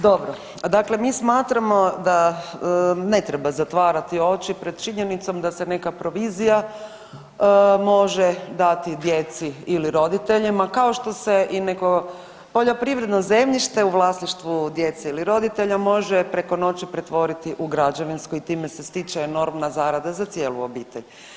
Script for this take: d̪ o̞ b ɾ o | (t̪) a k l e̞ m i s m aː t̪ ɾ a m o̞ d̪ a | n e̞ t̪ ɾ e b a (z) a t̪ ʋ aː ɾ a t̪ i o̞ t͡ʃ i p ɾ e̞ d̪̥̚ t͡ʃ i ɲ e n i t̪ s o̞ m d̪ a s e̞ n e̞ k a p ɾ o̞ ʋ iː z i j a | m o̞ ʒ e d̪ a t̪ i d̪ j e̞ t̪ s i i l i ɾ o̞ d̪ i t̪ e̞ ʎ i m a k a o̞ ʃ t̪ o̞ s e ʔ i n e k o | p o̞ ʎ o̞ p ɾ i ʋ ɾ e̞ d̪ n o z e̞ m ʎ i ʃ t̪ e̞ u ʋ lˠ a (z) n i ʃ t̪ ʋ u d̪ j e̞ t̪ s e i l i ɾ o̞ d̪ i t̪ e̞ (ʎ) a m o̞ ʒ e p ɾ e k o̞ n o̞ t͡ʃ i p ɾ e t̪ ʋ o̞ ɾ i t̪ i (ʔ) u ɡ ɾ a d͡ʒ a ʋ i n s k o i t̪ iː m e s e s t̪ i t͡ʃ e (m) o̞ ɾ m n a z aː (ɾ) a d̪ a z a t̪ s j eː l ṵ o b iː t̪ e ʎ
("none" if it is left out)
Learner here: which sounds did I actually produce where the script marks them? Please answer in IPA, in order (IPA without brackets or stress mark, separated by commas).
d̪, z, s, ʎ, ʔ, n, ɾ